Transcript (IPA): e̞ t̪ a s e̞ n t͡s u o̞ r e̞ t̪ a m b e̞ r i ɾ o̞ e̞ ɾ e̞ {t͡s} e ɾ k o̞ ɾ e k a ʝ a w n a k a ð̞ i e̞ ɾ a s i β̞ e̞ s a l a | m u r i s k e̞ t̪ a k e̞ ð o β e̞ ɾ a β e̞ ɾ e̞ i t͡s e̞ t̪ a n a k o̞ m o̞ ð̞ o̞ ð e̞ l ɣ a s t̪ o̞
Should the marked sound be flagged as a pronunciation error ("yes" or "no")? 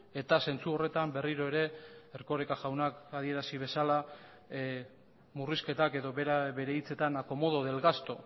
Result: yes